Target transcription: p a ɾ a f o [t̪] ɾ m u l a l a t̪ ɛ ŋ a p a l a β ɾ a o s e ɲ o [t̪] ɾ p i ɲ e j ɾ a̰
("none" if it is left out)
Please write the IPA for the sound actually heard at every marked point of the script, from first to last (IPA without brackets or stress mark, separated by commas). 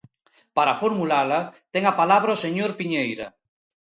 none, none